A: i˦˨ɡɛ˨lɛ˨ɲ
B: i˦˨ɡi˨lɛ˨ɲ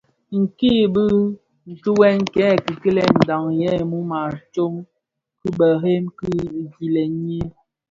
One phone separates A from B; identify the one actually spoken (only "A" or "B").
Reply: B